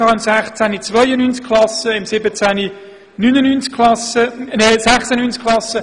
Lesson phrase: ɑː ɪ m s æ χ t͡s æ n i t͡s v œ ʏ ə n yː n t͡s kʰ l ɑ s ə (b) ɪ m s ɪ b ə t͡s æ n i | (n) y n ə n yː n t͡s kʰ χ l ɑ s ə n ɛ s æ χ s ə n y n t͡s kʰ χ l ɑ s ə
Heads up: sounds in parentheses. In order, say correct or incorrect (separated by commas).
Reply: incorrect, correct